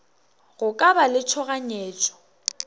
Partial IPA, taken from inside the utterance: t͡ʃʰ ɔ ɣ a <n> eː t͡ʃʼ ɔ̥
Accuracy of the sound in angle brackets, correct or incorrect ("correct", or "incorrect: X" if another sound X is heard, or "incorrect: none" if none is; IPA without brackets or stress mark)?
incorrect: ɲ